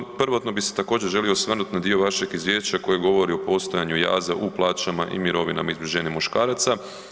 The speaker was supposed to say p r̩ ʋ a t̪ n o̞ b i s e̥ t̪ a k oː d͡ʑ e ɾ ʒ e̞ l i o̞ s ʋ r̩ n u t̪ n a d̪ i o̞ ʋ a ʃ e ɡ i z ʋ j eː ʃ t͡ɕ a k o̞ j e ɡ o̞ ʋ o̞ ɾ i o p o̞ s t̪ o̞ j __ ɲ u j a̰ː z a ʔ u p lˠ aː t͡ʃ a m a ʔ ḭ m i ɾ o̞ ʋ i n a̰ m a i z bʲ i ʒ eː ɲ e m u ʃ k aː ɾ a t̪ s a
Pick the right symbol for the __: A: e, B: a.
B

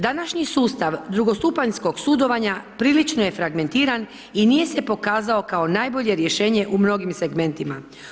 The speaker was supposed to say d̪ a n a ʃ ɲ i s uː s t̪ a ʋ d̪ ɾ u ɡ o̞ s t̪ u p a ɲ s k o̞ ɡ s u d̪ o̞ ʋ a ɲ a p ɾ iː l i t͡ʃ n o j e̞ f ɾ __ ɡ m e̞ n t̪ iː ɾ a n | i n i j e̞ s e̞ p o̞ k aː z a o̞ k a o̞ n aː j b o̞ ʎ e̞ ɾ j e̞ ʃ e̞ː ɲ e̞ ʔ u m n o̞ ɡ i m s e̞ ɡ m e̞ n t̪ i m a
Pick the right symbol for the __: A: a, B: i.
A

